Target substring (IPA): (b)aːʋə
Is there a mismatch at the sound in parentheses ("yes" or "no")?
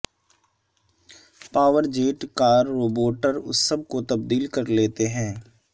yes